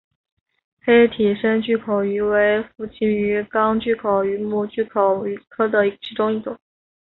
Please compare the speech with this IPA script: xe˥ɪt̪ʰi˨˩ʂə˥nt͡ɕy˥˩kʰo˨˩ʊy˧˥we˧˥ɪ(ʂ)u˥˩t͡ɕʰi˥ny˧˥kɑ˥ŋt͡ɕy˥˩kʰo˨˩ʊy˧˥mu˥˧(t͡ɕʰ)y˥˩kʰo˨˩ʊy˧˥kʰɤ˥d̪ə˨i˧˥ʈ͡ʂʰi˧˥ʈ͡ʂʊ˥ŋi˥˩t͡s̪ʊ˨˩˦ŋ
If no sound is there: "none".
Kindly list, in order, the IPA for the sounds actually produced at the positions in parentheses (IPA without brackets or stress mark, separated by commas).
f, t͡ɕ